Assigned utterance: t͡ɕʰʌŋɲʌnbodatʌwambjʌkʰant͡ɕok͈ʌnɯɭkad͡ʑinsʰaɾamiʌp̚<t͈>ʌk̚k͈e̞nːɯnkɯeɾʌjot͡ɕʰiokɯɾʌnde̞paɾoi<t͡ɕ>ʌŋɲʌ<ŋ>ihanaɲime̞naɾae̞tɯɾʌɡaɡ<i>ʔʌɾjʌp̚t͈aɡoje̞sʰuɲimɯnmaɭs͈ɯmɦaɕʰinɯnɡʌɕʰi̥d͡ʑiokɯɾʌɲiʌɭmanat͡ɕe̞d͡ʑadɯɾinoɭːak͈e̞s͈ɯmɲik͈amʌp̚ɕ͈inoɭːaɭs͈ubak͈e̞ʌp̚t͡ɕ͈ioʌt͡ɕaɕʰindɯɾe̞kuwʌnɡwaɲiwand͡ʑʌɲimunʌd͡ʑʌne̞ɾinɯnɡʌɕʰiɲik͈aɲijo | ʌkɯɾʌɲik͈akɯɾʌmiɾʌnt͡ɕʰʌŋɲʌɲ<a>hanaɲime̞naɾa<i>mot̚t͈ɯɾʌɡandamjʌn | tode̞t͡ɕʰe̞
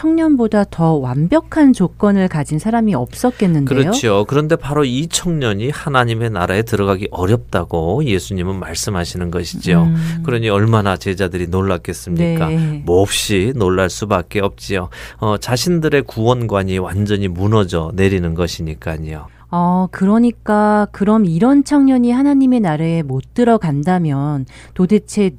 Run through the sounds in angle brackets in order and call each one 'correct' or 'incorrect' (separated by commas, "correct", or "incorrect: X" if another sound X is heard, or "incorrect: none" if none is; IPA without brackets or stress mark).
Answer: incorrect: s͈, incorrect: t͡ɕʰ, incorrect: ɲ, correct, incorrect: i, incorrect: e